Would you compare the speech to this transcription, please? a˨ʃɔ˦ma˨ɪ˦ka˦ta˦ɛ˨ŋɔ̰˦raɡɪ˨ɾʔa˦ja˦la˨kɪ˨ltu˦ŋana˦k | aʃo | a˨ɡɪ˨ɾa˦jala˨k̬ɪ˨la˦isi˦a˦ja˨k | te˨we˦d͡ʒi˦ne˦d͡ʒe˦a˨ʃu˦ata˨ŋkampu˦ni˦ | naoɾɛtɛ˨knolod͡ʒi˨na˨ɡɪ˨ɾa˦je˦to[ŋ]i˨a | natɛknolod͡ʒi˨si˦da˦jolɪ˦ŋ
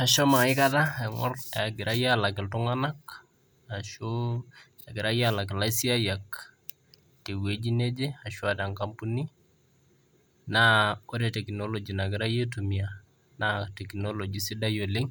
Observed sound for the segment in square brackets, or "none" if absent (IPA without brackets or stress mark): m